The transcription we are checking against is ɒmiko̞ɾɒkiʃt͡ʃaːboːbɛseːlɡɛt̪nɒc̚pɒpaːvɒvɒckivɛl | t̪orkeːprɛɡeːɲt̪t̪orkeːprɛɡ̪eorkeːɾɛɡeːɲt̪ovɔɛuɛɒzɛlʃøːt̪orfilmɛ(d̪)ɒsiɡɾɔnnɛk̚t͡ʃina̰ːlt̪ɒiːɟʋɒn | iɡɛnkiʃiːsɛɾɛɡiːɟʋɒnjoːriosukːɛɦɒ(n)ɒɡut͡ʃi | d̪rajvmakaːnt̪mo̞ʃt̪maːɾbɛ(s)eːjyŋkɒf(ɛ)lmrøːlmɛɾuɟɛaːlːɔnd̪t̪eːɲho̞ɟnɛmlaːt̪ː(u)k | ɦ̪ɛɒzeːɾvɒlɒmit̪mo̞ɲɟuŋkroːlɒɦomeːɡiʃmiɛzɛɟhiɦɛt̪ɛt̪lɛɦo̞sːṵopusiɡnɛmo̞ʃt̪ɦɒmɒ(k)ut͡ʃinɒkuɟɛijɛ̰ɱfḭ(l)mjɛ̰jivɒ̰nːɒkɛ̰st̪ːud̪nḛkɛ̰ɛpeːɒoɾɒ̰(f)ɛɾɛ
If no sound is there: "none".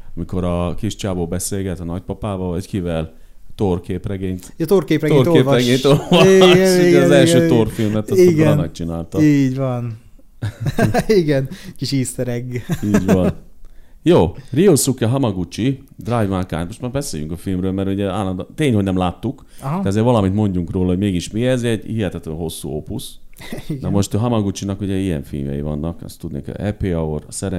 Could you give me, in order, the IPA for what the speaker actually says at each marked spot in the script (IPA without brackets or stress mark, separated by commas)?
t̪, m, s, i, u, ɡ, l, s